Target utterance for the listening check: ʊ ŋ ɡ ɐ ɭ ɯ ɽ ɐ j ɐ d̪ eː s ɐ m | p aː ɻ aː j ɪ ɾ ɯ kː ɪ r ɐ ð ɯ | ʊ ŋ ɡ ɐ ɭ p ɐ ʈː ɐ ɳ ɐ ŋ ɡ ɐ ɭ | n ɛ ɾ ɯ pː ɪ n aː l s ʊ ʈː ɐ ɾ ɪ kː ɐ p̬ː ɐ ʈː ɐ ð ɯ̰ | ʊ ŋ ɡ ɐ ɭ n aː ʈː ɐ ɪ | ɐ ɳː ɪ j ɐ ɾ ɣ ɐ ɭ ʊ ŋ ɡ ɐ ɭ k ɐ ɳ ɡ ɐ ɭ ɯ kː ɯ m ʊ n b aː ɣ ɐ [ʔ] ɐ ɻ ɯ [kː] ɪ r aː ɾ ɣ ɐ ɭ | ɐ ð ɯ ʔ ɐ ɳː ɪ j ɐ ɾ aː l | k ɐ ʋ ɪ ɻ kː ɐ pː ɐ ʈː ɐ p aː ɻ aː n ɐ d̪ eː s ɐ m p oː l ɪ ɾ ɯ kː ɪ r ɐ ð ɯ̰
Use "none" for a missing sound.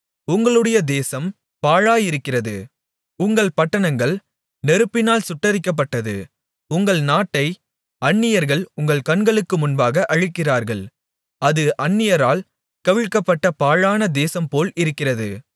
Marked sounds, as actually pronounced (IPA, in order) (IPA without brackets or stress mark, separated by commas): ʔ, kː